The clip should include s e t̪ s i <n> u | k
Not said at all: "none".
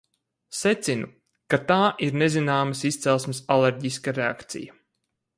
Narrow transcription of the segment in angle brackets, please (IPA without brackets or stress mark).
n